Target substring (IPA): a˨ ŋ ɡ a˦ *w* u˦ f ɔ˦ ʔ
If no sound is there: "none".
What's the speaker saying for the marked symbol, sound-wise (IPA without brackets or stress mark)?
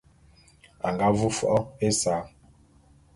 v